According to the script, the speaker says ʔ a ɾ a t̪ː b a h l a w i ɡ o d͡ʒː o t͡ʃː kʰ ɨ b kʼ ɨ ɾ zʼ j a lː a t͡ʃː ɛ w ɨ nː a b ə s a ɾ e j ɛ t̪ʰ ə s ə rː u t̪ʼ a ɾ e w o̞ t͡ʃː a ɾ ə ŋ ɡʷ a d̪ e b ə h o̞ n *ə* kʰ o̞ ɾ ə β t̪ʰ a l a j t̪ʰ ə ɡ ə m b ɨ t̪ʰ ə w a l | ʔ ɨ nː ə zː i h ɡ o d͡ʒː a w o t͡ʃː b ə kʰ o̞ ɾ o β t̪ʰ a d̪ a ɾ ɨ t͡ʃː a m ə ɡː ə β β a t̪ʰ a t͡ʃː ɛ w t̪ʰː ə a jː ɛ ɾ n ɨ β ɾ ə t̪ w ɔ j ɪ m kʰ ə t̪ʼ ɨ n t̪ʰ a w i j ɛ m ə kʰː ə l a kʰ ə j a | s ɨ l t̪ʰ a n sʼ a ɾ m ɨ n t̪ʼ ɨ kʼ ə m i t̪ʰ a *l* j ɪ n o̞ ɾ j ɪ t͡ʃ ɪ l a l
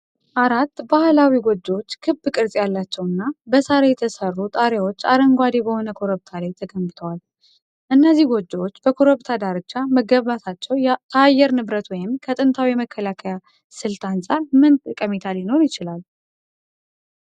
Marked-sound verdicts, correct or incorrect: correct, correct

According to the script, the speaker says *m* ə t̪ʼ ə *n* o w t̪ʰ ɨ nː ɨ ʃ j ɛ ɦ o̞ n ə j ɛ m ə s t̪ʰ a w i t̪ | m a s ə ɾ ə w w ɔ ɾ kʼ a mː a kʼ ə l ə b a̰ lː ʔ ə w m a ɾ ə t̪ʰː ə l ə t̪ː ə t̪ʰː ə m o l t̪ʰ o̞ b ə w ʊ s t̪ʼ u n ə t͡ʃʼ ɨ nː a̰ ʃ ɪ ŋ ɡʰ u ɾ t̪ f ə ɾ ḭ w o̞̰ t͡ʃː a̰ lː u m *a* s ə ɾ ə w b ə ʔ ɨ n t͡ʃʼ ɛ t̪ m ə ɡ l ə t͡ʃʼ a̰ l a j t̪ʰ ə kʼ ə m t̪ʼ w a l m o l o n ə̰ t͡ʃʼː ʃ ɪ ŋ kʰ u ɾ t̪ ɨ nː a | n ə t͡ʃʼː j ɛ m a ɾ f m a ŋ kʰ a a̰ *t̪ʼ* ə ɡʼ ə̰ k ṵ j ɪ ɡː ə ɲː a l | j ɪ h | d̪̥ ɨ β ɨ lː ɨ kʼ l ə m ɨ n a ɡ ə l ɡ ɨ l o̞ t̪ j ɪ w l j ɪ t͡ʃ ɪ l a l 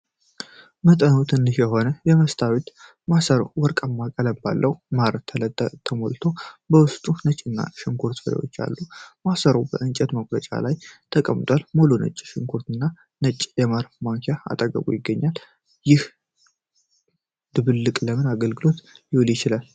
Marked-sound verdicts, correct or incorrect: correct, correct, correct, correct

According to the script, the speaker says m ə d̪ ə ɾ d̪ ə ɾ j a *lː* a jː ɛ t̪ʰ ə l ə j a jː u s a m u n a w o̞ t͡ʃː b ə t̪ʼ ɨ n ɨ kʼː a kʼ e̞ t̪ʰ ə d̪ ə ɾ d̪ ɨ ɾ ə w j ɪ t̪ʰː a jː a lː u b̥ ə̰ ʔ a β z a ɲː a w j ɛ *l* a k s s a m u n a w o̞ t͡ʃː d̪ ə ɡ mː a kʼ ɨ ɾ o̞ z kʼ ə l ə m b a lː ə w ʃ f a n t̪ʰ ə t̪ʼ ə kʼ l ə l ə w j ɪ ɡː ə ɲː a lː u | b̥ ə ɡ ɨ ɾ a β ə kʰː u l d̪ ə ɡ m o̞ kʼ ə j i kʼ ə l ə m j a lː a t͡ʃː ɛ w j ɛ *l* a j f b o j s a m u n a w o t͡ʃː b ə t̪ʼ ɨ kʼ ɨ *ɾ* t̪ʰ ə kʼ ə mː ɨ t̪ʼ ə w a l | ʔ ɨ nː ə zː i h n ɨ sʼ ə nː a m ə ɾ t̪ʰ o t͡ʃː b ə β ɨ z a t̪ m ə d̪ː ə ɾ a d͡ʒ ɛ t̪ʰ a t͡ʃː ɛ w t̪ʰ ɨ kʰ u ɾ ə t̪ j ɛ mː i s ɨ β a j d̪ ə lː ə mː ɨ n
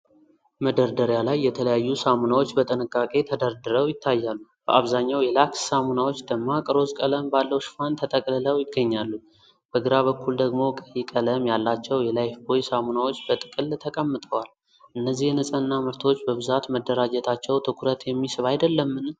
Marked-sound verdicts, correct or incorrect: incorrect: l, correct, correct, incorrect: l

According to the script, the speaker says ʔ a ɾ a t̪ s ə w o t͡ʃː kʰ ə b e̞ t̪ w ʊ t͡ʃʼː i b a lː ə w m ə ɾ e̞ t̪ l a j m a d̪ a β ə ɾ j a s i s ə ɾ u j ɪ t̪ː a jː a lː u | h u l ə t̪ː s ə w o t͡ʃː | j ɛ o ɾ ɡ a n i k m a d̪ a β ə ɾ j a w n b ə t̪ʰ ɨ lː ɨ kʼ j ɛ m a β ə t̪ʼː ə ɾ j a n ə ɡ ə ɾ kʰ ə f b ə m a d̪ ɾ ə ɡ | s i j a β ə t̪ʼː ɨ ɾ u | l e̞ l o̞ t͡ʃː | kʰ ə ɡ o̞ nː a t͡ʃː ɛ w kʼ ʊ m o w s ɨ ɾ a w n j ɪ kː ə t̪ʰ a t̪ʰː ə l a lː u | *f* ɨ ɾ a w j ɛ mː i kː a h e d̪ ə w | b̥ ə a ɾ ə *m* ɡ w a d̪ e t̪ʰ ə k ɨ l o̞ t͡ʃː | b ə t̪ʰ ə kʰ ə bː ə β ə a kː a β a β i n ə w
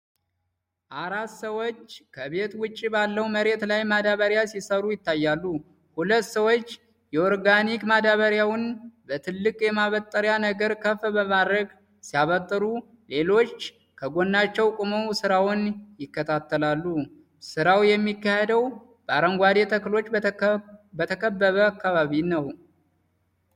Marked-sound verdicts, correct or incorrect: incorrect: s, incorrect: ŋ

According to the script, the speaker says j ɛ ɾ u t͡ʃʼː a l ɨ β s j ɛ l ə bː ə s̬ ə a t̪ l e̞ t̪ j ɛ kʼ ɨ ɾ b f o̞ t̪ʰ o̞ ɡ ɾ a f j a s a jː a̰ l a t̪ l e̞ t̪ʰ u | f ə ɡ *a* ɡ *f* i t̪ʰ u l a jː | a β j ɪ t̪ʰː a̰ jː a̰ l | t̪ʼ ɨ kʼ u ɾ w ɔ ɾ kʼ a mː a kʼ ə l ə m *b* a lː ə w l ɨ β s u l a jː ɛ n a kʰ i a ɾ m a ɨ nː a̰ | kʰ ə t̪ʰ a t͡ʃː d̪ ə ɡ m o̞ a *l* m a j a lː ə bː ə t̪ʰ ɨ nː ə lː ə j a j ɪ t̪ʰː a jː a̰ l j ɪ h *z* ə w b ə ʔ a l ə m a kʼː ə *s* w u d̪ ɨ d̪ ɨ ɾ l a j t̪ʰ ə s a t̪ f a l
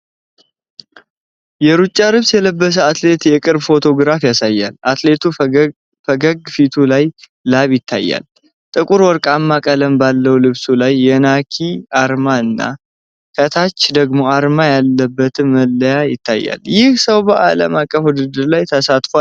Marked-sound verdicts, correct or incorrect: incorrect: ə, correct, correct, incorrect: ɾ, incorrect: s, incorrect: f

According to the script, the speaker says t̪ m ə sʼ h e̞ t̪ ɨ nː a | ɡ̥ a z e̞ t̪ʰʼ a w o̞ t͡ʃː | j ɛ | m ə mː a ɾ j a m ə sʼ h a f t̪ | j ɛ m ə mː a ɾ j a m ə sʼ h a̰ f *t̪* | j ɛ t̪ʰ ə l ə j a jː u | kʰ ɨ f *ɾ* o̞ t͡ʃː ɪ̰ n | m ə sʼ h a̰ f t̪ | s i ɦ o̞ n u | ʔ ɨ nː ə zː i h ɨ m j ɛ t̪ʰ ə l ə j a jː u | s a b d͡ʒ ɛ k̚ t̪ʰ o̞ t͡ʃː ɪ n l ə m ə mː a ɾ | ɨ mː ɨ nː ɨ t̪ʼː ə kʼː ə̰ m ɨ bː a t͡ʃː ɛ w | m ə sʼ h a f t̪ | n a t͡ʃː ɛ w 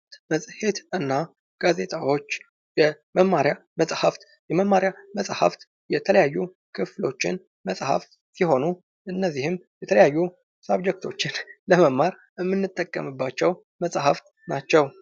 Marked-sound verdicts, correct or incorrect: correct, incorrect: l

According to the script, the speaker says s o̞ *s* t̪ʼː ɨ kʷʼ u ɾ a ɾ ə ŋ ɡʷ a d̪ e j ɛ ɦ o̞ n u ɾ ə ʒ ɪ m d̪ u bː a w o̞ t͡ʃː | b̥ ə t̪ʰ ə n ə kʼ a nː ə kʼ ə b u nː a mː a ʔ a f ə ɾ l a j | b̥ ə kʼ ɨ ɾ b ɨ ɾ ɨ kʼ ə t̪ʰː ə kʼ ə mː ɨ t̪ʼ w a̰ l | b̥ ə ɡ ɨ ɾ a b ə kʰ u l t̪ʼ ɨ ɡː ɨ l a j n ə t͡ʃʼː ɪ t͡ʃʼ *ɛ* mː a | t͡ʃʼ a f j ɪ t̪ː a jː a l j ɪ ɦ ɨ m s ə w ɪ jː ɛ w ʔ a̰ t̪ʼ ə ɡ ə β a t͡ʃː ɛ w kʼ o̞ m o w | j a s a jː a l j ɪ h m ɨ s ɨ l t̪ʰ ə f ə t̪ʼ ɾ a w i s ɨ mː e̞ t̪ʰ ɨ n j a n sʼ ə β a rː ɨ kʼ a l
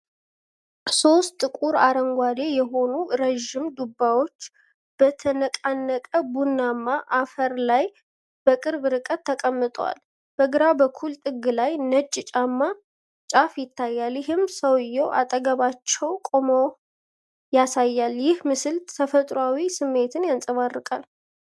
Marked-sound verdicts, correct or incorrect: correct, incorrect: a

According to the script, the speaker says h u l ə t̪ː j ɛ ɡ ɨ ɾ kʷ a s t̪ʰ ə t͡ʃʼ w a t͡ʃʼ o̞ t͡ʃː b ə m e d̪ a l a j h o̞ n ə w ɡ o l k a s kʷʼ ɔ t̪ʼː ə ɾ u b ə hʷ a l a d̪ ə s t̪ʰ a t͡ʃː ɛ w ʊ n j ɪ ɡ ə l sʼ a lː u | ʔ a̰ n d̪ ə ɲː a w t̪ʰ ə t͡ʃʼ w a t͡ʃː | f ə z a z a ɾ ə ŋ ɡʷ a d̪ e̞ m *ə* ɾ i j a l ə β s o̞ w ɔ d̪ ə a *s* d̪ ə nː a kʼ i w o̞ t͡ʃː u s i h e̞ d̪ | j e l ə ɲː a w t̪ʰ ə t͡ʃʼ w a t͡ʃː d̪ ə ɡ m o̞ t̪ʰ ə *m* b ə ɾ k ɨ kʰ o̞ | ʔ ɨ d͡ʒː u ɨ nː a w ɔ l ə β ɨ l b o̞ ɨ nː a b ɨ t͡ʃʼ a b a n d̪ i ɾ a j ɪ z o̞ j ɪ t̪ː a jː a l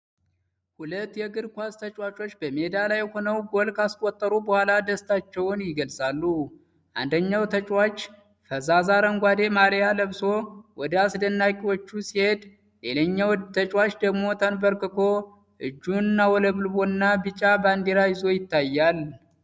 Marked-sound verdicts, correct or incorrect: incorrect: a, correct, incorrect: n

